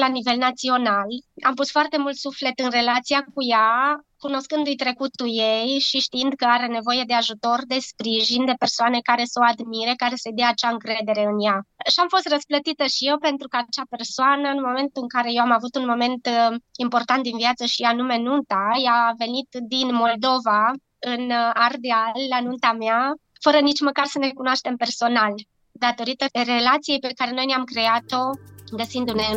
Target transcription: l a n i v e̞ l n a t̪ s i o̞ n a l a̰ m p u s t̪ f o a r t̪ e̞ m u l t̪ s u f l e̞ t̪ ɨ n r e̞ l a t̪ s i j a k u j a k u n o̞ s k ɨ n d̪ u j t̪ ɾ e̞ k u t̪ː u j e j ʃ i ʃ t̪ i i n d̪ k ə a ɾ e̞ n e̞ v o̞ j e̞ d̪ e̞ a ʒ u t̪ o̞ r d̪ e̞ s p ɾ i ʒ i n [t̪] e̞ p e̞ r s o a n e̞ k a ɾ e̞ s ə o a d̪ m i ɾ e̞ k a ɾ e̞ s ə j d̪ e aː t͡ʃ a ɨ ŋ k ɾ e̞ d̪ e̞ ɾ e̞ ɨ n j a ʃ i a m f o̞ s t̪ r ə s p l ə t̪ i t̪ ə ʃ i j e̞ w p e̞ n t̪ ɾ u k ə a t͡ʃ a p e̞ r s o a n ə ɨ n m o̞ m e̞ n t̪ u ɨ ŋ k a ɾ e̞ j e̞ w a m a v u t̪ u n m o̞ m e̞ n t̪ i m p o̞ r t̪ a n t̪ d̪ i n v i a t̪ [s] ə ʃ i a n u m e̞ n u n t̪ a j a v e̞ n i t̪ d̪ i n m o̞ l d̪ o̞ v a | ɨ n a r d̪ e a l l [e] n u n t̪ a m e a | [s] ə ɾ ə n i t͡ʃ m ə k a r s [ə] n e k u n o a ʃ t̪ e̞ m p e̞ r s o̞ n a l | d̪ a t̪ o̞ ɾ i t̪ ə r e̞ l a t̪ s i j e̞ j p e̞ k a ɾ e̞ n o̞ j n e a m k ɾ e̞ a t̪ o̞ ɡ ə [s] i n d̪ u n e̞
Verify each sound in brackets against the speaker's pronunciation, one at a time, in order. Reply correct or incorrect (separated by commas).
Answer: incorrect, correct, incorrect, incorrect, correct, correct